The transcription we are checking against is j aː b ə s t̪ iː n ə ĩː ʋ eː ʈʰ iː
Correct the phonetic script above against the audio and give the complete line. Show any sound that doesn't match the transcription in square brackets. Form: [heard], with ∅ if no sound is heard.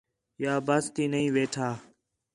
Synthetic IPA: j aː b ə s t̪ iː n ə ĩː ʋ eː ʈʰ [aː]